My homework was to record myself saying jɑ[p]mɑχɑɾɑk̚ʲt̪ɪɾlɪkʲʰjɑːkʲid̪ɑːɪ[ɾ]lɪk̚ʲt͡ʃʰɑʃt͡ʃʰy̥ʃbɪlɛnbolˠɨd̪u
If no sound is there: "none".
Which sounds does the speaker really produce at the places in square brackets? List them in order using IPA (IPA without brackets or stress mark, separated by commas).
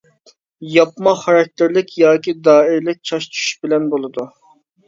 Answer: p, ɾ